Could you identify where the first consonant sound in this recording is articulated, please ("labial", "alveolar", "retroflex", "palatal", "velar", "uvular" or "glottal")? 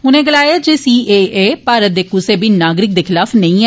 alveolar